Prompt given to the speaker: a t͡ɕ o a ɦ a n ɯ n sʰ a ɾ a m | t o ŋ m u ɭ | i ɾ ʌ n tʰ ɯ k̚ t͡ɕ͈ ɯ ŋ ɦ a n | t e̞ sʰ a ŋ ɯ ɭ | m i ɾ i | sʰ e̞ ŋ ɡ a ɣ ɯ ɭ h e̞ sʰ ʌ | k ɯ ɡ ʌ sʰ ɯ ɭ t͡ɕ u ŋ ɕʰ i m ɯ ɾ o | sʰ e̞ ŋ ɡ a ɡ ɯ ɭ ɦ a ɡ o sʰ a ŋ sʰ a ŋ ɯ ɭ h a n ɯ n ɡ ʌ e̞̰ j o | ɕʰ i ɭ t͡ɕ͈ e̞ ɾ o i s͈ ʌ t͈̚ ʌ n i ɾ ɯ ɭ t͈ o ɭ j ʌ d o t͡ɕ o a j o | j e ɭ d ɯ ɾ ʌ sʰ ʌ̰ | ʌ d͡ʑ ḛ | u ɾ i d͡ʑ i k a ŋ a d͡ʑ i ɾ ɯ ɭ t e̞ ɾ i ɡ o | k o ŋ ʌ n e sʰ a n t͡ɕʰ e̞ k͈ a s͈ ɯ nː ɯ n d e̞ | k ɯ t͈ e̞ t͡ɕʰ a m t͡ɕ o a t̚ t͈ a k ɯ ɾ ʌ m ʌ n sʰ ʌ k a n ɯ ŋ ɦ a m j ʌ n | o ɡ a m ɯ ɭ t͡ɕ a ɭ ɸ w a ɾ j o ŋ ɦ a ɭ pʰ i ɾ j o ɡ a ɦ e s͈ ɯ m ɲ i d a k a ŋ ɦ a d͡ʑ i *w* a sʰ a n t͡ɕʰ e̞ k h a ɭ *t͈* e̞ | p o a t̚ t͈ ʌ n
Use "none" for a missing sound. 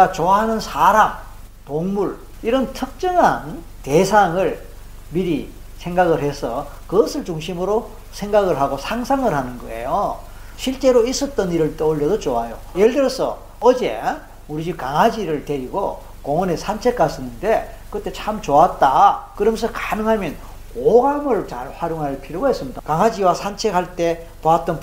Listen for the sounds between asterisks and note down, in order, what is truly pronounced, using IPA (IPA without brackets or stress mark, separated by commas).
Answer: w, t͈